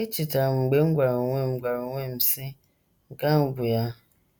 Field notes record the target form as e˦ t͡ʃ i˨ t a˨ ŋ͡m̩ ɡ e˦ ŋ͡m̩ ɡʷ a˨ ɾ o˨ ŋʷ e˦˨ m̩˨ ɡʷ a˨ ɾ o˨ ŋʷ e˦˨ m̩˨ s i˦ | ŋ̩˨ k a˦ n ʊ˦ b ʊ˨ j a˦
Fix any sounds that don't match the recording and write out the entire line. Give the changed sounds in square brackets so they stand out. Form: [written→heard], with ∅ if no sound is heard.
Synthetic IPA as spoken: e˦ t͡ʃ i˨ t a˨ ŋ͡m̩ [ɡ→ɡ͡b] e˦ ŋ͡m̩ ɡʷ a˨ ɾ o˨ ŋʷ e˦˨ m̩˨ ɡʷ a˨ ɾ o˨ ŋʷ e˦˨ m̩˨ s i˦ | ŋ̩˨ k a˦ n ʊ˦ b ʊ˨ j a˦